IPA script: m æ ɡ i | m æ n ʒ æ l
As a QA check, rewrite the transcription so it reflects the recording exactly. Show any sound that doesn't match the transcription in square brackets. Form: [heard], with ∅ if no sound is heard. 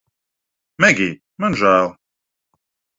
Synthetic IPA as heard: m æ ɡ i | m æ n ʒ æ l